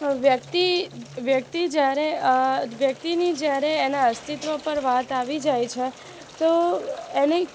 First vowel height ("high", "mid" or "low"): mid